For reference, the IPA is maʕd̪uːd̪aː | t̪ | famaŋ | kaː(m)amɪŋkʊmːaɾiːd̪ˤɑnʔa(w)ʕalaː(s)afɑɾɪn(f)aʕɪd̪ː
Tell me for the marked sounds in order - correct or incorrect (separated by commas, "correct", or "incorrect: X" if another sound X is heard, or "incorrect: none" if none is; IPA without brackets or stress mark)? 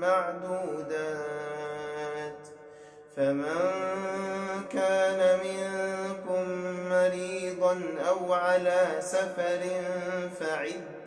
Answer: incorrect: n, correct, correct, correct